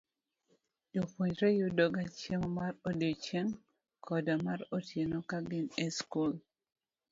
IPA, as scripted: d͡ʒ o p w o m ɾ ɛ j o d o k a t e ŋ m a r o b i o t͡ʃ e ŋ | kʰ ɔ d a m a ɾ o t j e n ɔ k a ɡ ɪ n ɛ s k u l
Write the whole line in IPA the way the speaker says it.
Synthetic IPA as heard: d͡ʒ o p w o ɲ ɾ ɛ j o d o ɡ a t͡ʃ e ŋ m a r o d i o t͡ʃ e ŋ | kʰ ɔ d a m a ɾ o t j e n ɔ k a ɡ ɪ n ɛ s k u l